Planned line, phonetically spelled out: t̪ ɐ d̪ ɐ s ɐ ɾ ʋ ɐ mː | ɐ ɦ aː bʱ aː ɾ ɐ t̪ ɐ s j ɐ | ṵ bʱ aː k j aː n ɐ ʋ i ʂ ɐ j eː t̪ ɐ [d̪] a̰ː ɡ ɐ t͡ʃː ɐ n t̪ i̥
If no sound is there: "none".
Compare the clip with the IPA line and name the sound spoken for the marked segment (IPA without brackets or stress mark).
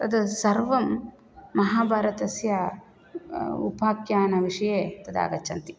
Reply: d̪